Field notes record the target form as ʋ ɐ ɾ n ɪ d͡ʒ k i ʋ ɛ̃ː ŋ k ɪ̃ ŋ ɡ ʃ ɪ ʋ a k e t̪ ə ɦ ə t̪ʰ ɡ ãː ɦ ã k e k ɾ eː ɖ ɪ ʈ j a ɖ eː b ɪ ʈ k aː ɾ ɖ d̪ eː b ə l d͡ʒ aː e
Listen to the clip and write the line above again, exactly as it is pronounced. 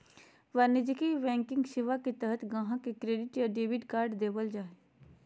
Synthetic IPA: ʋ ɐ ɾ n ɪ d͡ʒ k i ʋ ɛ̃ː ŋ k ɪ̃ ŋ ɡ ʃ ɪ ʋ a k e t̪ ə ɦ ə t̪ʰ ɡ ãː ɦ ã k e k ɾ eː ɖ ɪ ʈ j a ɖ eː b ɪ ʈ k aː ɾ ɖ d̪ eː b ə l d͡ʒ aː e